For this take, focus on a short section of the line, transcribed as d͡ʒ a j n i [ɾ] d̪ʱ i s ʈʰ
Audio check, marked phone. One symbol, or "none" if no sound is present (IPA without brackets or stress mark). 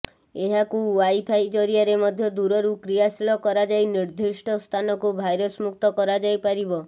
ɾ